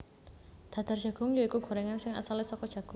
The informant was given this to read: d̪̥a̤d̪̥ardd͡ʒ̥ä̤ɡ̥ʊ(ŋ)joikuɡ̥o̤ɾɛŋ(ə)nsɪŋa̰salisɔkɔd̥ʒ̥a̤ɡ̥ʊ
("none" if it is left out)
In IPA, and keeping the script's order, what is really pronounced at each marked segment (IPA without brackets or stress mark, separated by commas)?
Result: ŋ, a